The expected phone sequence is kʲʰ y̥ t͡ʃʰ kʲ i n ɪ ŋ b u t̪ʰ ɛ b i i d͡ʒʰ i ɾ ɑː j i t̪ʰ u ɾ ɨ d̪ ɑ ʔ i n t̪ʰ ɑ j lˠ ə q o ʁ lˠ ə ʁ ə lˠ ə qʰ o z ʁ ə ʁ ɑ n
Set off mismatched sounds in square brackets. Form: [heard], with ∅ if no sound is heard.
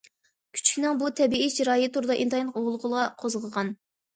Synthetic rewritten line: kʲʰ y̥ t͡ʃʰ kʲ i n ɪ ŋ b u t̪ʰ ɛ b i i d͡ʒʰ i ɾ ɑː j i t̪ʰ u ɾ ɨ d̪ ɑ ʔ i n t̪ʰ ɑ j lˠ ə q o ʁ lˠ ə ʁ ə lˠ [ɑ] qʰ o z ʁ ə ʁ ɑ n